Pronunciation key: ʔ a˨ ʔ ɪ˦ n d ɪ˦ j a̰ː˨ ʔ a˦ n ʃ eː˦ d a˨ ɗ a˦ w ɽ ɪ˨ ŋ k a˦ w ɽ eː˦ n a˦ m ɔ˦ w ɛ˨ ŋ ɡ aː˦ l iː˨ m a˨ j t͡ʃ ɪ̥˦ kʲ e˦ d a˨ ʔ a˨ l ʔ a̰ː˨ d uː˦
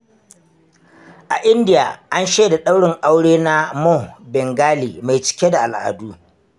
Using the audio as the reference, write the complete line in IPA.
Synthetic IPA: ʔ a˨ ʔ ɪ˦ n d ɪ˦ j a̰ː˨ ʔ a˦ n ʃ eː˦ d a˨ ɗ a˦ w ɽ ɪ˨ ŋ ʔ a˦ w ɽ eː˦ n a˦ m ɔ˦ b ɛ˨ ŋ ɡ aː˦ l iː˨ m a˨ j t͡ʃ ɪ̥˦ kʲ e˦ d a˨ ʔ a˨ l ʔ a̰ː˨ d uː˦